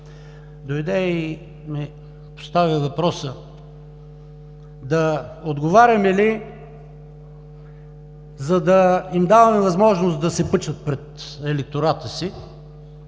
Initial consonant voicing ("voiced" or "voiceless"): voiced